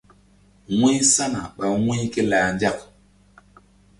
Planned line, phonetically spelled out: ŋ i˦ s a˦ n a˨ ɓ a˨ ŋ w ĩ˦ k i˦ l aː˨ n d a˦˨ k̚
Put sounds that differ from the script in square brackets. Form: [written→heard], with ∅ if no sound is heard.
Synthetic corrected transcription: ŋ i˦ s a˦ n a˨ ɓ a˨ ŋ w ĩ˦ k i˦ l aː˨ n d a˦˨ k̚